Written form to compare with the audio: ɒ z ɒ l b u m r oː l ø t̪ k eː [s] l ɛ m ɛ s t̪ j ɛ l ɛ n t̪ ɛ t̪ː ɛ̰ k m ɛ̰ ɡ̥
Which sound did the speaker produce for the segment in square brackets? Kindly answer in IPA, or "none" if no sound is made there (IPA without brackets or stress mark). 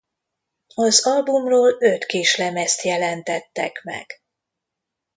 ʃ